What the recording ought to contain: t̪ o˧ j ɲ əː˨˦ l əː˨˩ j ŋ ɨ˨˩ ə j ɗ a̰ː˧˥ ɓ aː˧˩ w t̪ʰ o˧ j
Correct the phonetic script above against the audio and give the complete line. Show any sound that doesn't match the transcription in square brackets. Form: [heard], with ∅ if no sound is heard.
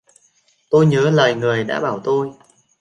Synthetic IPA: t̪ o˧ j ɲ əː˨˦ l əː˨˩ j ŋ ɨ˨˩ ə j ɗ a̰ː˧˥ ɓ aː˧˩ w [t̪] o˧ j

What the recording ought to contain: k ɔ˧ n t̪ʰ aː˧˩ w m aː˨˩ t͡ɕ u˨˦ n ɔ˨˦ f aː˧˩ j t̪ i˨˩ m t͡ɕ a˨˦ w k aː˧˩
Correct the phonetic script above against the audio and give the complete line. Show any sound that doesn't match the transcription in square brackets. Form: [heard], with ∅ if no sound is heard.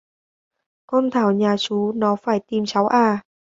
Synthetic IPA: k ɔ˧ n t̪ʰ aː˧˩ w [ɲ] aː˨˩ t͡ɕ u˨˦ n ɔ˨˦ f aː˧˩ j t̪ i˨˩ m t͡ɕ a˨˦ w [ʔ] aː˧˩

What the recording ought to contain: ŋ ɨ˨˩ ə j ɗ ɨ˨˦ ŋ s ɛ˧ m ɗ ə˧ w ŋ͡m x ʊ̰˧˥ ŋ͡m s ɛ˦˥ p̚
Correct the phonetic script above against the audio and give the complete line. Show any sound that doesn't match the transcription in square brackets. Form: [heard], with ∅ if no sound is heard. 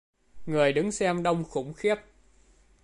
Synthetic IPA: ŋ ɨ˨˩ ə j ɗ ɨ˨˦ ŋ s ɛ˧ m ɗ ə˧ w ŋ͡m x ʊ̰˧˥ ŋ͡m [x] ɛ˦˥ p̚

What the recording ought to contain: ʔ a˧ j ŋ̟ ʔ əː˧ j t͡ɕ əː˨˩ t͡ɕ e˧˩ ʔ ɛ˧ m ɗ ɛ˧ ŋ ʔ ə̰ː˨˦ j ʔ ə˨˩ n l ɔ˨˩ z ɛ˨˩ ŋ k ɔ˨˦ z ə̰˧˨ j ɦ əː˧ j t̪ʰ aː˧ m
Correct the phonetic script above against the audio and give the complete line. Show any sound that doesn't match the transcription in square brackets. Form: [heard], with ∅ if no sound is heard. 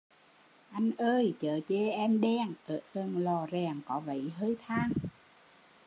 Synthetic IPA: ʔ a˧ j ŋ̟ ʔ əː˧ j t͡ɕ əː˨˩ t͡ɕ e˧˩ ʔ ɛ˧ m ɗ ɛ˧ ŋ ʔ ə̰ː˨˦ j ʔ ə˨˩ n l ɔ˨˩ z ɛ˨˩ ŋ k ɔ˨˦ [v] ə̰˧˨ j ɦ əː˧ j t̪ʰ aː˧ [ŋ]

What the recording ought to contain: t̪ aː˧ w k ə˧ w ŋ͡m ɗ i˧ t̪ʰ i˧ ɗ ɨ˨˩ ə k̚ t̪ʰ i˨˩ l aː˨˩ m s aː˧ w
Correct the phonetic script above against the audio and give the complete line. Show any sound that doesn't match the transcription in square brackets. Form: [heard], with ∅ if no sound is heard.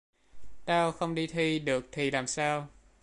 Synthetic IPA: t̪ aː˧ w [x] ə˧ w ŋ͡m ɗ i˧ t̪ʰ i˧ ɗ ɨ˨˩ ə k̚ t̪ʰ i˨˩ l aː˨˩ m s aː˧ w

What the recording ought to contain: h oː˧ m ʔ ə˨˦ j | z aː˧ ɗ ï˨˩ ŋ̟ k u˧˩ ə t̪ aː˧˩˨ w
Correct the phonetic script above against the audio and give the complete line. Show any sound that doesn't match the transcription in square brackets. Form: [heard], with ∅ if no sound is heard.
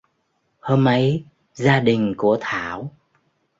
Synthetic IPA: h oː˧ m ʔ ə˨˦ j | z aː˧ ɗ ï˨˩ ŋ̟ k u˧˩ ə [t̪ʰ] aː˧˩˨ w

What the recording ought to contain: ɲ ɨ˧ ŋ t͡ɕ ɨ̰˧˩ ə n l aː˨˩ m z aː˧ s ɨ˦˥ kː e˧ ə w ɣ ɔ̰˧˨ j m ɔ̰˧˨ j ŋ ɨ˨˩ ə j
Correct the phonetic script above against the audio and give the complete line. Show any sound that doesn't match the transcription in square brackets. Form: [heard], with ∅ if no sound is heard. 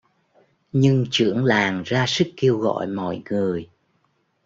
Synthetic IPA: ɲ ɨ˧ ŋ t͡ɕ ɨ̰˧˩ ə [ŋ] l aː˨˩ [ŋ] z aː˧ s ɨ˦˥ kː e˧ ə w ɣ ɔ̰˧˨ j m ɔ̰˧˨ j ŋ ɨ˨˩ ə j

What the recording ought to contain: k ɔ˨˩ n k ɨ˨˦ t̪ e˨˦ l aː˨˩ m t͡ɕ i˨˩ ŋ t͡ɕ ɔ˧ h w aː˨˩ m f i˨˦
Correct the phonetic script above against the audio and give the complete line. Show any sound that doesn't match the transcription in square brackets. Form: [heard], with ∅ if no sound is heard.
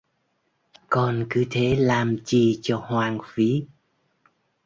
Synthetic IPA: k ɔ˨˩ n k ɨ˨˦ [t̪ʰ] e˨˦ l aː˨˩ m t͡ɕ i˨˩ [∅] t͡ɕ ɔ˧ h w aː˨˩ [ŋ] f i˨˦

